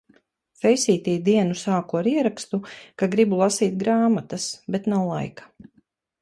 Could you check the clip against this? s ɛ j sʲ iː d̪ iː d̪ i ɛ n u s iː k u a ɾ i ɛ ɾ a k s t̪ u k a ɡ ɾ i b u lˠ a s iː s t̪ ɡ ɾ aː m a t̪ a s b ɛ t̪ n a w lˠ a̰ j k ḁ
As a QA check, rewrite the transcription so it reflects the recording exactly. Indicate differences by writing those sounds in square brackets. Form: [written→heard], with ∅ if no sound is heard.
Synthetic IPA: [s→f] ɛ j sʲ iː [d̪→t̪] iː d̪ i ɛ n u s [iː→aː] k u a ɾ i ɛ ɾ a k s t̪ u k a ɡ ɾ i b u lˠ a s iː [s→∅] t̪ ɡ ɾ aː m a t̪ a s b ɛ t̪ n a w lˠ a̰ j k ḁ